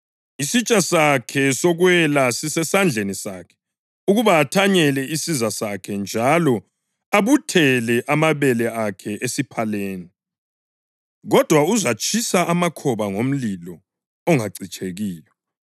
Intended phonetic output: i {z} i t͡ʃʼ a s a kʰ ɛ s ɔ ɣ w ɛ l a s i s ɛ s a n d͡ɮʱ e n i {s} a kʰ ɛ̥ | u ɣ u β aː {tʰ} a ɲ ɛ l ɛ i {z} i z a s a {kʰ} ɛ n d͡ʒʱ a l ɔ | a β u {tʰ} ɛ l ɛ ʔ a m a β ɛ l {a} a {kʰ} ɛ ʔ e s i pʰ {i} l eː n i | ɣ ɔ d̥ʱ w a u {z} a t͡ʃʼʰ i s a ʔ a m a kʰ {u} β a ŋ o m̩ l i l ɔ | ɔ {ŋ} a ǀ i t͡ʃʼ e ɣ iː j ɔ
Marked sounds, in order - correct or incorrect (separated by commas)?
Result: incorrect, correct, correct, incorrect, correct, correct, incorrect, correct, incorrect, correct, incorrect, correct